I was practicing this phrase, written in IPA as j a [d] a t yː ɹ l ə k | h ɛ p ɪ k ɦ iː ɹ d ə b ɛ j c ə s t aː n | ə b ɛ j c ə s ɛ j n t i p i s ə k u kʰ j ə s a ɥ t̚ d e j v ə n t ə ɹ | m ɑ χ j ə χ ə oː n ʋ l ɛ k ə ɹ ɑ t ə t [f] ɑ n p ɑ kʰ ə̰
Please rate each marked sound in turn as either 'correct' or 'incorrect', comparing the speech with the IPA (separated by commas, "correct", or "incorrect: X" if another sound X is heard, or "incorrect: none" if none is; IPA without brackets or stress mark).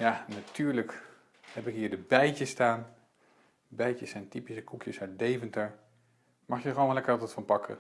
incorrect: n, correct